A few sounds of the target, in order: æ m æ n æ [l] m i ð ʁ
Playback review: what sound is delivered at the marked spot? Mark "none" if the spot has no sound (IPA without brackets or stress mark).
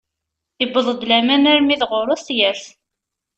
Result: ɾ